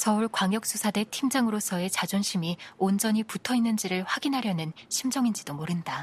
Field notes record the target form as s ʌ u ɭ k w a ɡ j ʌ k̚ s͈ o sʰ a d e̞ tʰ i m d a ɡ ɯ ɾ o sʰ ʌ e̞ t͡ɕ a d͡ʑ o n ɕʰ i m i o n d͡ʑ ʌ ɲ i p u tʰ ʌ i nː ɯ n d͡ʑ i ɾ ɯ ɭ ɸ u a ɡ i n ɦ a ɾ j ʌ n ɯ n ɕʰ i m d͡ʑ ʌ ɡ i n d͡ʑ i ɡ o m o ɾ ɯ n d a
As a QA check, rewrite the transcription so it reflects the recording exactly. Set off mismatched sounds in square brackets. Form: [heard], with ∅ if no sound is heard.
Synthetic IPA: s ʌ u ɭ k w a [ŋ] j ʌ k̚ s͈ [u] sʰ a d e̞ tʰ i m [d͡ʑ] a [ŋ] ɯ ɾ o sʰ ʌ e̞ t͡ɕ a d͡ʑ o n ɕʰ i m i o n d͡ʑ ʌ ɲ i p u tʰ ʌ i nː ɯ n d͡ʑ i ɾ ɯ ɭ ɸ [w] a ɡ i n ɦ a ɾ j ʌ n ɯ n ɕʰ i m d͡ʑ ʌ [ŋ] i n d͡ʑ i [d] o m o ɾ ɯ n d a